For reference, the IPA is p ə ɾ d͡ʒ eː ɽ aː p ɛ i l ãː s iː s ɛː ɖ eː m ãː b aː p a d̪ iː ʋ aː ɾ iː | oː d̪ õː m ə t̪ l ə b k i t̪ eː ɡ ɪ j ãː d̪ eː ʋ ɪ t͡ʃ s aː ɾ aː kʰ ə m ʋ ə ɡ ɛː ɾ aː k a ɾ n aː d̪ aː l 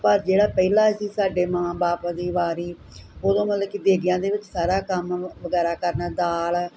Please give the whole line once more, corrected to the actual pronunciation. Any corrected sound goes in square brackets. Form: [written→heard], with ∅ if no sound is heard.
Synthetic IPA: p ə ɾ d͡ʒ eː ɽ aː p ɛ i l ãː s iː s [ɛː→aː] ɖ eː m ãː b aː p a d̪ iː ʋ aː ɾ iː | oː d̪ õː m ə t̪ l ə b k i [t̪→d̪] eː ɡ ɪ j ãː d̪ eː ʋ ɪ t͡ʃ s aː ɾ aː [kʰ→k] ə m ʋ ə ɡ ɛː ɾ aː k [a→ə] ɾ n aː d̪ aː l